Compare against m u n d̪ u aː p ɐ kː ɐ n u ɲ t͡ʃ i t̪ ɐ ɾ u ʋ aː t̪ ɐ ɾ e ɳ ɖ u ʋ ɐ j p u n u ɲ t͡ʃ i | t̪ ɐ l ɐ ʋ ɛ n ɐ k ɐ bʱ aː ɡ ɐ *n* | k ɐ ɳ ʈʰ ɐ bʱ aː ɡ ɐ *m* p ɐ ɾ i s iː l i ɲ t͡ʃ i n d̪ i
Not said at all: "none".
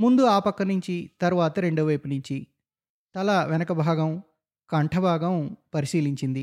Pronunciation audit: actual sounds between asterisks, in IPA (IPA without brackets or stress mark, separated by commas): m, m